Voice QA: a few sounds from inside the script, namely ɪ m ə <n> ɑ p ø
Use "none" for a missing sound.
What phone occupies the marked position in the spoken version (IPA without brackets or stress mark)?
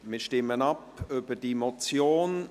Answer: n